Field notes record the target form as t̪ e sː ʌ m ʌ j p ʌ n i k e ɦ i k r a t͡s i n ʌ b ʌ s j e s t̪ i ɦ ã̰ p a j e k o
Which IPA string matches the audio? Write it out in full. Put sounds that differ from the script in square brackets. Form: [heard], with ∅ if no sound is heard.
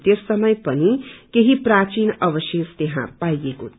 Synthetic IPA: t̪ e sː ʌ m ʌ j p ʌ n i k e ɦ i [p] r a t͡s i n ʌ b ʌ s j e s t̪ [e] ɦ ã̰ p a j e k o